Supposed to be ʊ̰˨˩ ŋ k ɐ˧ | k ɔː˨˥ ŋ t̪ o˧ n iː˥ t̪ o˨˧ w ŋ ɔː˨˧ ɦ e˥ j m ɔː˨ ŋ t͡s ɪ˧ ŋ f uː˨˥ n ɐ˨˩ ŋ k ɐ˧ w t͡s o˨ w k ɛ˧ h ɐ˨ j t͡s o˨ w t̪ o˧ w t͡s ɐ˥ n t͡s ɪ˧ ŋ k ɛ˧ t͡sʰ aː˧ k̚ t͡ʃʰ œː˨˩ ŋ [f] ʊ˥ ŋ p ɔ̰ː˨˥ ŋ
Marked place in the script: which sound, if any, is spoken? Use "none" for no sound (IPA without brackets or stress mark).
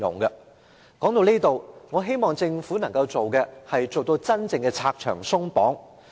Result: s